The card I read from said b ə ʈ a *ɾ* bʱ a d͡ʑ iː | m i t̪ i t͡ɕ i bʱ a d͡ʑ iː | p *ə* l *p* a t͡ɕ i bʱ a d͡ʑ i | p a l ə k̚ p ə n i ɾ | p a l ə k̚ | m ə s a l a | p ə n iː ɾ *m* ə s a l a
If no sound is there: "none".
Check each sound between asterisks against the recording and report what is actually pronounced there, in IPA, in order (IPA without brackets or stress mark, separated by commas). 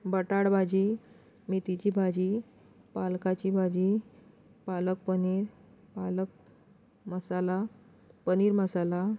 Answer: ɽ, a, k, m